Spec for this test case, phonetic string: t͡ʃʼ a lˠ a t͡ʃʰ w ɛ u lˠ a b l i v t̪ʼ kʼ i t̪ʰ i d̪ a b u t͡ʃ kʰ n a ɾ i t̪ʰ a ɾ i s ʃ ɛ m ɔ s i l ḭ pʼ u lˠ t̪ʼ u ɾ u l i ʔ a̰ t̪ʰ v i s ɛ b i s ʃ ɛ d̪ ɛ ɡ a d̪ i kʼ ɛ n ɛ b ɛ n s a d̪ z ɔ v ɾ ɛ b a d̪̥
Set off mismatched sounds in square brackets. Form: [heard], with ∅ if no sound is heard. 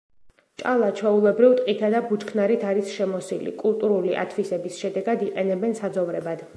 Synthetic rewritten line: t͡ʃʼ a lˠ a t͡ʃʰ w ɛ u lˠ [ɛ] b [ɾ] i v t̪ʼ [qʼ] i t̪ʰ [a] d̪ a b u t͡ʃ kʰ n a ɾ i t̪ʰ a ɾ i s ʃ ɛ m ɔ s i l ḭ [kʼ] u lˠ t̪ʼ u ɾ u l i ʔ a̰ t̪ʰ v i s ɛ b i s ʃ ɛ d̪ ɛ ɡ a d̪ i [qʼ] ɛ n ɛ b ɛ n s a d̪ z ɔ v ɾ ɛ b a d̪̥

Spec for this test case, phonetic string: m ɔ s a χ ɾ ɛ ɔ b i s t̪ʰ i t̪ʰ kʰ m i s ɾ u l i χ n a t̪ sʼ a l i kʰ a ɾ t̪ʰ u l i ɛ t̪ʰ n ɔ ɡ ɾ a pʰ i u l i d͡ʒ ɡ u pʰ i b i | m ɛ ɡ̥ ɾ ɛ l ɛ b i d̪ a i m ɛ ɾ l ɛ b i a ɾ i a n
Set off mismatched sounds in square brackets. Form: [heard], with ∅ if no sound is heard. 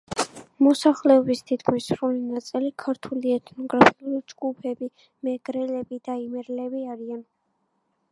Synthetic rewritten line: m ɔ s a χ [l] ɛ ɔ b i s t̪ʰ i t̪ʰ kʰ m i s ɾ u l i [∅] n a t̪ sʼ [i] l i kʰ a ɾ t̪ʰ u l i ɛ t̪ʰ n ɔ ɡ ɾ a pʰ i u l i d͡ʒ ɡ u pʰ [ɛ] b i | m ɛ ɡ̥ ɾ ɛ l ɛ b i d̪ a i m ɛ ɾ l ɛ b i a ɾ i a n

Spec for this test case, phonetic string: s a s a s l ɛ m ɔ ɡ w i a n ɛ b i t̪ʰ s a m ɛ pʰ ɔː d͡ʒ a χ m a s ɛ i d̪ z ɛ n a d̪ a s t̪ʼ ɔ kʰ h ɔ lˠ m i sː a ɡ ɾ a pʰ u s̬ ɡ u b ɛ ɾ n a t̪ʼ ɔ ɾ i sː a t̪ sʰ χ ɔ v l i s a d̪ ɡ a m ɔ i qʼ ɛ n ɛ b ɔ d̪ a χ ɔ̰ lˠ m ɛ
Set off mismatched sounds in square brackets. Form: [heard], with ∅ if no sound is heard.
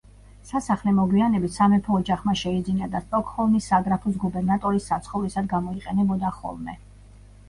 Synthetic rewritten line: s a s a [χ] l ɛ m ɔ ɡ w i a n ɛ b i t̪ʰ s a m ɛ pʰ ɔː d͡ʒ a χ m a [ʃ] ɛ i d̪ z [i] n a d̪ a s t̪ʼ ɔ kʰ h ɔ lˠ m i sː a ɡ ɾ a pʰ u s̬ ɡ u b ɛ ɾ n a t̪ʼ ɔ ɾ i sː a t̪ sʰ χ ɔ v l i s a d̪ ɡ a m ɔ i qʼ ɛ n ɛ b ɔ d̪ a χ ɔ̰ lˠ m ɛ

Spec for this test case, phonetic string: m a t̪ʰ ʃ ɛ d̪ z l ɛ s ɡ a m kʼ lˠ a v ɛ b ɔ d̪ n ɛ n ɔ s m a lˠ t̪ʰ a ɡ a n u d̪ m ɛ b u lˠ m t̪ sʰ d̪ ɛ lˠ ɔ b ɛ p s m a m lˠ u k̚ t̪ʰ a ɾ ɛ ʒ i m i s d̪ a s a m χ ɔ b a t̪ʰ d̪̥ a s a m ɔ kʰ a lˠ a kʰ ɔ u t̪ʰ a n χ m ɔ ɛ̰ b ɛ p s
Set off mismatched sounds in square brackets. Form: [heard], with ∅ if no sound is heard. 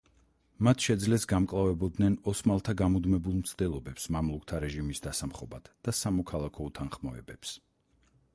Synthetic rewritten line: m a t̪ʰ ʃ ɛ d̪ z l ɛ s ɡ a m kʼ lˠ a v ɛ b ɔ d̪ n ɛ n ɔ s m a lˠ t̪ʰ a ɡ a [m] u d̪ m ɛ b u lˠ m t̪ sʰ d̪ ɛ lˠ ɔ b ɛ p s m a m lˠ u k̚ t̪ʰ a ɾ ɛ ʒ i m i s d̪ a s a m χ ɔ b a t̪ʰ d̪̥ a s a m ɔ kʰ a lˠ a kʰ ɔ u t̪ʰ a n χ m ɔ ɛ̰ b ɛ p s

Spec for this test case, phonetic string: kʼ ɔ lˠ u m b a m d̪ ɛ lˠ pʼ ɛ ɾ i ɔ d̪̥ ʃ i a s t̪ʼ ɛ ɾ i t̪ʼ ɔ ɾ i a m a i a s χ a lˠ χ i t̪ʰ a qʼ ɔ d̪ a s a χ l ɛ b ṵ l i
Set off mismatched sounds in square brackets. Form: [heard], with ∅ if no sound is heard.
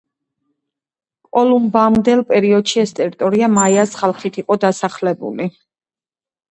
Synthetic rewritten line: kʼ ɔ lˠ u m b a m d̪ ɛ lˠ pʼ ɛ ɾ i ɔ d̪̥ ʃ i [ɛ] s t̪ʼ ɛ ɾ i t̪ʼ ɔ ɾ i a m a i a s χ a lˠ χ i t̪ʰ [i] qʼ ɔ d̪ a s a χ l ɛ b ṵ l i

